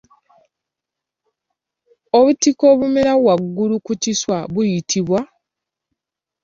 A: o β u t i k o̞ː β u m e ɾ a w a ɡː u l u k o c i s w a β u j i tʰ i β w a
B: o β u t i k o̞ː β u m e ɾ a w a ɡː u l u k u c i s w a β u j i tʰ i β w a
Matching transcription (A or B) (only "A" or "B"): B